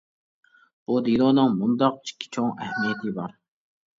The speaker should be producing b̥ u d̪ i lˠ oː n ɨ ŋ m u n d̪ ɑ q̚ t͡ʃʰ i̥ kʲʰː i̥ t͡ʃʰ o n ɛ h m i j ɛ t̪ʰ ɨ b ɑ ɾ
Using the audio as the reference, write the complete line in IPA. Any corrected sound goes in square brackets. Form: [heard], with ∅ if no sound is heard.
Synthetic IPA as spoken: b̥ u d̪ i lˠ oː n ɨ ŋ m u n d̪ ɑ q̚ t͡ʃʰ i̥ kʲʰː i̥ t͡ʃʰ o [ŋ] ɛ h m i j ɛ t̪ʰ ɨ b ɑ ɾ